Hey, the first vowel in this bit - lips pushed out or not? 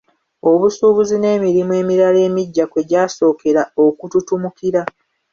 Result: yes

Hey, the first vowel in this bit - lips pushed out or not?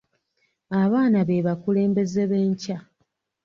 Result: no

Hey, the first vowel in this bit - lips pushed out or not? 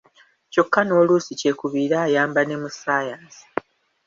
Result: yes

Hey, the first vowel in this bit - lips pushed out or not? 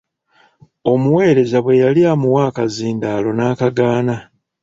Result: yes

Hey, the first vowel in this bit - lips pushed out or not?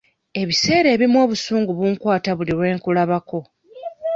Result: no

